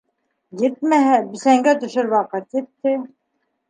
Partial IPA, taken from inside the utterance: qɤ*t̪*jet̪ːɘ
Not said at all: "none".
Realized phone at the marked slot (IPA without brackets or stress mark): t̪